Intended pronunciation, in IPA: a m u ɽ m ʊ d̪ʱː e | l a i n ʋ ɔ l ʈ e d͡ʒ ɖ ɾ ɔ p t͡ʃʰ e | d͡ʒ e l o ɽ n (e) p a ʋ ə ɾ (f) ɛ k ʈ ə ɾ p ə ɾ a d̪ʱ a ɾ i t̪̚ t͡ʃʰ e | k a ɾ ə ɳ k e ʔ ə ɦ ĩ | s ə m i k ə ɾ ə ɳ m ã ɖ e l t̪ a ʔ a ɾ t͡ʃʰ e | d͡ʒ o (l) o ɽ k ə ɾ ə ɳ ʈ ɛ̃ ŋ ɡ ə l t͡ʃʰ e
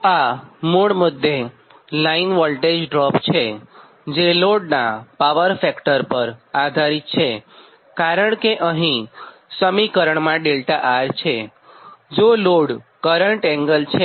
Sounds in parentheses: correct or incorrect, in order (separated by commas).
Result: incorrect, correct, correct